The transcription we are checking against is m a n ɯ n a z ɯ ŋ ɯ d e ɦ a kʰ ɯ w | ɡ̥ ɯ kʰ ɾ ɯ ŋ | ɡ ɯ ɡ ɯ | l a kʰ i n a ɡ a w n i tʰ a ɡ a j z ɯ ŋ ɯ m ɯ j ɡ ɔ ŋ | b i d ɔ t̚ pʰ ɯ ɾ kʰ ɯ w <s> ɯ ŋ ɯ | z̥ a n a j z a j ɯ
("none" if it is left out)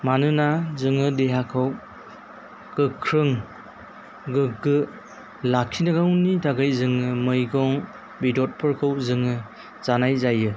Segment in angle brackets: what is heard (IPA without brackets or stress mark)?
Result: z